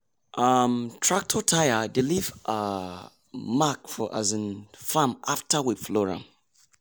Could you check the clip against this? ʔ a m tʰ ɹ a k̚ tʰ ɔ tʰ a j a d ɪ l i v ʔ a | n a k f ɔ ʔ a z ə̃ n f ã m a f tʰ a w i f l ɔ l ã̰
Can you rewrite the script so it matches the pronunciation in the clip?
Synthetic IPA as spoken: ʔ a m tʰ ɹ a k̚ tʰ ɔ tʰ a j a d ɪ l i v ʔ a | m a k f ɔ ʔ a z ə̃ n f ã m a f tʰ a w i f l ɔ ɹ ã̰